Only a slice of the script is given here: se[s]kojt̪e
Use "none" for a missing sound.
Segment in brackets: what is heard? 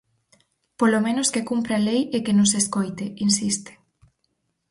s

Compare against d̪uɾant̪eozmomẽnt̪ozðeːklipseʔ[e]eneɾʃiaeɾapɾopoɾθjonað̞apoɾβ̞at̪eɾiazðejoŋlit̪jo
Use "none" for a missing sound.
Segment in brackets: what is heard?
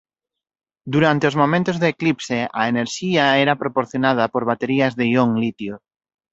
a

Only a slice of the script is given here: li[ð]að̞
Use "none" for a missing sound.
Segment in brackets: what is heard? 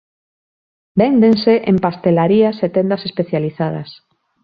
θ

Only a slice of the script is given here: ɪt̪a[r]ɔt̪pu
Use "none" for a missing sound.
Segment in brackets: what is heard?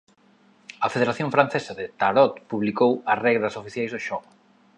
ɾ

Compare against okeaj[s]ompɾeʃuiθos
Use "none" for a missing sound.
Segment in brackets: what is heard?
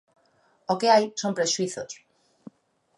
s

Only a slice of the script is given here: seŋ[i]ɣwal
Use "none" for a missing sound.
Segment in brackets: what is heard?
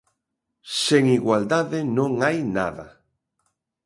i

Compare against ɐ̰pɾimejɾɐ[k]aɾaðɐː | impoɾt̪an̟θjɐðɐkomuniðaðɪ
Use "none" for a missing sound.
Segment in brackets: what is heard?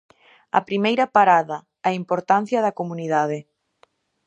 p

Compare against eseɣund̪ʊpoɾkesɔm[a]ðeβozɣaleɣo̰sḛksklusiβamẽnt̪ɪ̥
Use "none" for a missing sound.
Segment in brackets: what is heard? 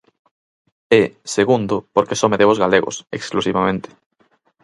e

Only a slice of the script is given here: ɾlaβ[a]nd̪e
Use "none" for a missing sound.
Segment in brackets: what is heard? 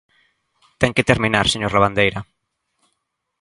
a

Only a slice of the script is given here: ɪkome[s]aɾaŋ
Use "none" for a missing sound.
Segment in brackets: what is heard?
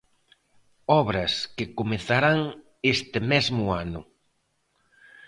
θ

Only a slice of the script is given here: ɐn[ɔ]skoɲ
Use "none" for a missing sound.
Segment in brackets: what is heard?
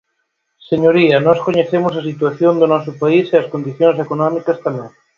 ɔ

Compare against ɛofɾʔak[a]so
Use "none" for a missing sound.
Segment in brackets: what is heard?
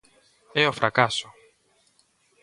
a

